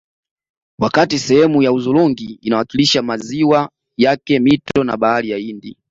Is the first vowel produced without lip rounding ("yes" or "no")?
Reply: yes